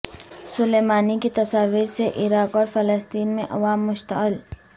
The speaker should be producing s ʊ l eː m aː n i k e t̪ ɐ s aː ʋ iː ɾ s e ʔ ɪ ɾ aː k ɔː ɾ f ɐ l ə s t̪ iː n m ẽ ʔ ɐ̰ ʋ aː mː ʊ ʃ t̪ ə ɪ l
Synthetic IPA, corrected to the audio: s ʊ l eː m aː n i k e t̪ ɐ s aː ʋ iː ɾ s e ʔ ɪ ɾ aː k ɔː ɾ f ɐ l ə s t̪ iː n m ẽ ʔ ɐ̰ ʋ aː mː ʊ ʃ t̪ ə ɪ l